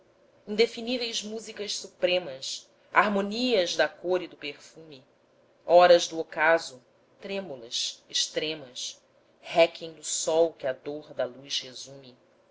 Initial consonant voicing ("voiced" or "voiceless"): voiced